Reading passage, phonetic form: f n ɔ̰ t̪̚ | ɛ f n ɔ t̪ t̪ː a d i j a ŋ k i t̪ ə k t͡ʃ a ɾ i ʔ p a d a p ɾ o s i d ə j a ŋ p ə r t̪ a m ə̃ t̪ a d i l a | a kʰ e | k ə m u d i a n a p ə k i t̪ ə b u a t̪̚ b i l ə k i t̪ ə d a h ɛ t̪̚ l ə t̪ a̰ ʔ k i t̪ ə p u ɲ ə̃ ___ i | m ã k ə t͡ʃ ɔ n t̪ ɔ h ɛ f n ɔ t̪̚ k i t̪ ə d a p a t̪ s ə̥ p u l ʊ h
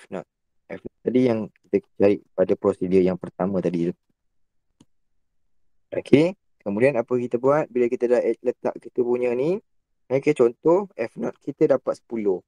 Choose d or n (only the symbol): n